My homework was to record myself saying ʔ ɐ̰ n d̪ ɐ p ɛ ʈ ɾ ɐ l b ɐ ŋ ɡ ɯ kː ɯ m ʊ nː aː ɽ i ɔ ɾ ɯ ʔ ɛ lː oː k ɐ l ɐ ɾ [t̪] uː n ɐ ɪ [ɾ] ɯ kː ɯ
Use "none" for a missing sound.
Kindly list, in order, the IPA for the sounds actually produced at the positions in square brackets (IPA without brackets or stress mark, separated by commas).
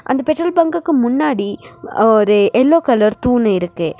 t̪, ɾ